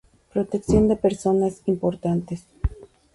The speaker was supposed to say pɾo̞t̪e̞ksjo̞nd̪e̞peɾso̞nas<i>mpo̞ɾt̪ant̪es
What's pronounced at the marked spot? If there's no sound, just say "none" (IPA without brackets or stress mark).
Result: i